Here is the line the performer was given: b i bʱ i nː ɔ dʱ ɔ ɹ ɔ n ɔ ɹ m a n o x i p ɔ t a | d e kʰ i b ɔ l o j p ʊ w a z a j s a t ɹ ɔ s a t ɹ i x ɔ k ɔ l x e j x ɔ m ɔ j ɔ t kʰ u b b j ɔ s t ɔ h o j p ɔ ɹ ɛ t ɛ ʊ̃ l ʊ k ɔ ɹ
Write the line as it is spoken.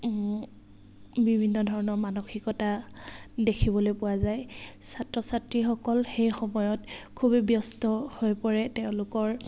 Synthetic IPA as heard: b i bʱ i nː ɔ dʱ ɔ ɹ ɔ n ɔ ɹ m a n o x i k ɔ t a | d e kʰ i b ɔ l o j p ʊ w a z a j s a t ɹ ɔ s a t ɹ i x ɔ k ɔ l x e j x ɔ m ɔ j ɔ t kʰ u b b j ɔ s t ɔ h o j p ɔ ɹ ɛ t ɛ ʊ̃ l ʊ k ɔ ɹ